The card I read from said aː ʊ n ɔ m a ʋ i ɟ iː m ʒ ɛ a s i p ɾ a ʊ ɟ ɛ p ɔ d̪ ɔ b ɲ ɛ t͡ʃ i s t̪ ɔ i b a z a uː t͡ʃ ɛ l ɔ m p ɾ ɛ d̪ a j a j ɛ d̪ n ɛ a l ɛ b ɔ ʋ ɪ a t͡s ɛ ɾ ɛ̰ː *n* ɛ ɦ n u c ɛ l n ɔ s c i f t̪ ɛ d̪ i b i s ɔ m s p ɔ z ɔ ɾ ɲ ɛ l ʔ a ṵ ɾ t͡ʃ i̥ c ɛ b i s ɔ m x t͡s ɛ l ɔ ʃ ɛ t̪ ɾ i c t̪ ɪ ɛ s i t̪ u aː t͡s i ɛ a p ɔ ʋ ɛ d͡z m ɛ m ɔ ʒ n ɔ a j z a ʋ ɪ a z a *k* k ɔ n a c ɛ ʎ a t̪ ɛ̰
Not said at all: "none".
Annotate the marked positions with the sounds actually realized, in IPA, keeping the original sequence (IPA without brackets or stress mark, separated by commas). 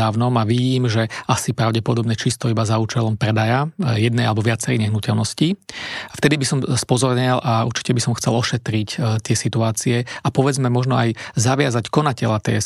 ɲ, c